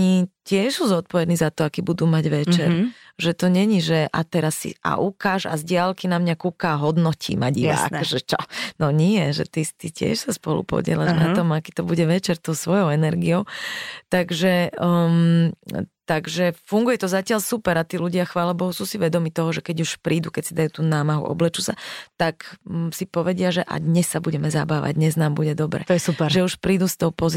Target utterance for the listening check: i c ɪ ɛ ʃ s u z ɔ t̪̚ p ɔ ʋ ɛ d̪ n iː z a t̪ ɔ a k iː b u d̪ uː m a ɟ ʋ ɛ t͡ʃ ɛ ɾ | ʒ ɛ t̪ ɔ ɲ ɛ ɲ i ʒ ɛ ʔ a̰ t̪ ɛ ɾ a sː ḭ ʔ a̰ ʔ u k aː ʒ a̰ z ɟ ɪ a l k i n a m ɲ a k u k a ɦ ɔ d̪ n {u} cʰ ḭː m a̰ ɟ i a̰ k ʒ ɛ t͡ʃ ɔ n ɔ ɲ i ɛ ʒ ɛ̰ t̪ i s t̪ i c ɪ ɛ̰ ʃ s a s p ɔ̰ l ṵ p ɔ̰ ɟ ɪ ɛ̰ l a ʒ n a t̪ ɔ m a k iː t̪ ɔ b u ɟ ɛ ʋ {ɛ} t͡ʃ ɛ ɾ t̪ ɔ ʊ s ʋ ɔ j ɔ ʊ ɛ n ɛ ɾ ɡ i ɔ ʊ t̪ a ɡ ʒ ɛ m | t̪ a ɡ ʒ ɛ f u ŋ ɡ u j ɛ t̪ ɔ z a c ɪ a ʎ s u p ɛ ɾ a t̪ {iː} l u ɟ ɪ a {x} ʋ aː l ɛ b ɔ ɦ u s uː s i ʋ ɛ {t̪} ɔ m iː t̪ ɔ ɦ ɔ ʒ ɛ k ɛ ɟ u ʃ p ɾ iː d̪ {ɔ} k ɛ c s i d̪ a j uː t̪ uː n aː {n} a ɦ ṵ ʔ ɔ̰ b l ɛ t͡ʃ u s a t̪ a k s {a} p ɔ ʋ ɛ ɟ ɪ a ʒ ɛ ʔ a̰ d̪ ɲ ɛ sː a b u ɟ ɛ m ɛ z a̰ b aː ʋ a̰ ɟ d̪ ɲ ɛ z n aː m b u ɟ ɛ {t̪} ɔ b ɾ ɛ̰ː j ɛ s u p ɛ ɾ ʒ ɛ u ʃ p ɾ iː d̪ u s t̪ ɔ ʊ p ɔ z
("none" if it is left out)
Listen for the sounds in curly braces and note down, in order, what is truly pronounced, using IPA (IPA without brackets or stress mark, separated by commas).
ɔ, ɛ, iː, x, d̪, u, m, i, d̪